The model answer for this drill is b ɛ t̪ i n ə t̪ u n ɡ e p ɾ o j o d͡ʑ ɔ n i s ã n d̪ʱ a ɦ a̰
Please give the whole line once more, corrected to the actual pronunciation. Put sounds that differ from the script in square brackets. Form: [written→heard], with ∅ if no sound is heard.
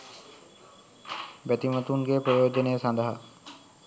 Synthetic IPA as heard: b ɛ t̪ i [n→m] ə t̪ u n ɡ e p ɾ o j o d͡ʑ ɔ n [i→e] s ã n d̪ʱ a ɦ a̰

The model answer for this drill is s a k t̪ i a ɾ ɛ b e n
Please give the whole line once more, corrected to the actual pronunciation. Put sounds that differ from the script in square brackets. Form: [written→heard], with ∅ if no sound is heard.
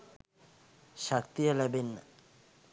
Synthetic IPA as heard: [s→ʃ] a k t̪ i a [ɾ→l] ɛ b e n

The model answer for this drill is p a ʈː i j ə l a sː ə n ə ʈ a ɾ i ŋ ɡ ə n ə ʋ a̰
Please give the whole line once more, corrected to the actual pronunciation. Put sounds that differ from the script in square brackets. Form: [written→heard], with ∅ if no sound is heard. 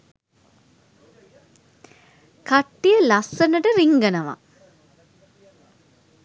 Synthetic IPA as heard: [p→k] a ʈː i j ə l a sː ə n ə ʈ [a→ə] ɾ i ŋ ɡ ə n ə ʋ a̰

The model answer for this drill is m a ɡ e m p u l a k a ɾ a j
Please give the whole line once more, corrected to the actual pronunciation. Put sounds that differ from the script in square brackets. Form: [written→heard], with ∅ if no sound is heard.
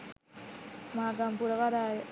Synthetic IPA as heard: m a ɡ [e→a] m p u [l→ɾ] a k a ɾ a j

